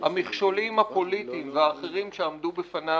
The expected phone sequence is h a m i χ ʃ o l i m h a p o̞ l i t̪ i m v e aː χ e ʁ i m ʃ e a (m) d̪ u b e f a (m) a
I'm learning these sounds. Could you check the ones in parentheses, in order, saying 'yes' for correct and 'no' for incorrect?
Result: yes, no

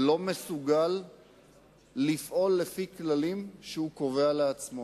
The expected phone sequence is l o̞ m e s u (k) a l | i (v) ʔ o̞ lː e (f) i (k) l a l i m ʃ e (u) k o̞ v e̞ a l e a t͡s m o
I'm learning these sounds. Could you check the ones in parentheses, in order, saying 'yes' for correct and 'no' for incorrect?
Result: no, no, yes, yes, yes

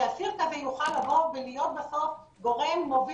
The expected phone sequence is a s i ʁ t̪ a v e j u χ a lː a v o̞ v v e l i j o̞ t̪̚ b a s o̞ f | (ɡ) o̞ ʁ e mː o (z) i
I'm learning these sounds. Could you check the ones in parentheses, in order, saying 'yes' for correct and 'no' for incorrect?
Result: yes, no

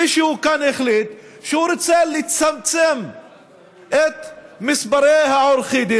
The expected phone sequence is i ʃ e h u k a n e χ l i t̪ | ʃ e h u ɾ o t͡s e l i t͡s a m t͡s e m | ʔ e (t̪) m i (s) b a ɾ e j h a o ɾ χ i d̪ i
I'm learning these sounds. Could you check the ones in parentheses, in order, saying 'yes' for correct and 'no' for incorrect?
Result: yes, yes

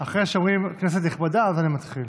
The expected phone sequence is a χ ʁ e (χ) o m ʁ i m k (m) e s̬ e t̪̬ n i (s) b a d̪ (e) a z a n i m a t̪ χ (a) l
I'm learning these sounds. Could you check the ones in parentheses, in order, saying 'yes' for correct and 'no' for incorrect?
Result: no, no, no, no, no

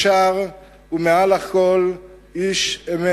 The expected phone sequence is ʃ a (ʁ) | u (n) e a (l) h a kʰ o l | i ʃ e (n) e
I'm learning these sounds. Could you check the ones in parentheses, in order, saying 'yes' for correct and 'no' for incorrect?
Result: yes, no, yes, no

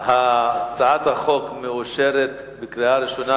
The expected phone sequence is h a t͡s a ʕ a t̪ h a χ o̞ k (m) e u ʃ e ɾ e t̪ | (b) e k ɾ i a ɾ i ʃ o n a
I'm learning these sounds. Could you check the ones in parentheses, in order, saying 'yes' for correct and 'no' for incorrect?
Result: yes, yes

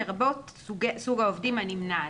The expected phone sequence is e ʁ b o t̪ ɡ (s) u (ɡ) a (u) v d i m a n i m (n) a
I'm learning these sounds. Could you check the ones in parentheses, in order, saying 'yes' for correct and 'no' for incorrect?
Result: yes, yes, no, yes

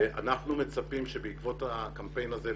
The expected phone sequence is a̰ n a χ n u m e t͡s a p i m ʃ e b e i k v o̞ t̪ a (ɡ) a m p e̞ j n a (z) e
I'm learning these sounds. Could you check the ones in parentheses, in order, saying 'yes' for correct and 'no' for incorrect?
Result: no, yes

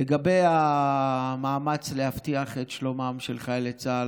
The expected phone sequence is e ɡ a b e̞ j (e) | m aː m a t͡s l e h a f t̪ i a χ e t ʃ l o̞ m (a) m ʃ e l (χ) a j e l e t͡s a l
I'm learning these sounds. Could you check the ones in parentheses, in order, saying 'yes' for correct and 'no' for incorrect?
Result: no, yes, yes

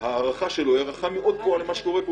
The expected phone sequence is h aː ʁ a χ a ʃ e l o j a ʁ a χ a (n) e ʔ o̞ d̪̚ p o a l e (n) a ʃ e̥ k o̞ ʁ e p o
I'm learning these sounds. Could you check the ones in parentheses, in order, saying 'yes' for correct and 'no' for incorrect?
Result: no, no

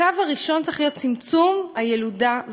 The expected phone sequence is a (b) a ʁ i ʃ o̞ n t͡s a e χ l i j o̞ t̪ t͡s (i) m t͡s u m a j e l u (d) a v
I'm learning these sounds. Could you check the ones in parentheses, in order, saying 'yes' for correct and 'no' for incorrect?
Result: no, yes, yes

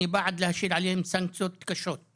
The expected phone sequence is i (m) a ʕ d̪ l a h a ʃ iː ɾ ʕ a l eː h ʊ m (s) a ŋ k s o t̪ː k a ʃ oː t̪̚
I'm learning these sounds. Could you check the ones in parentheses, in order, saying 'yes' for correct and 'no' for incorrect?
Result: no, yes

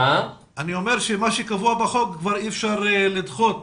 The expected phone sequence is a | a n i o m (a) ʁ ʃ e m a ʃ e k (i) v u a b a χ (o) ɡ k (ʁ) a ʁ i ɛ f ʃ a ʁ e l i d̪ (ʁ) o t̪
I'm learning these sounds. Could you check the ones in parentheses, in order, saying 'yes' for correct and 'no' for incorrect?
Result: no, no, yes, no, no

